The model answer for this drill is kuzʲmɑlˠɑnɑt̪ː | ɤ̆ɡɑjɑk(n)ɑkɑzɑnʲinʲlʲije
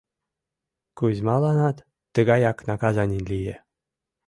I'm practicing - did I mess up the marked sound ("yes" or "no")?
no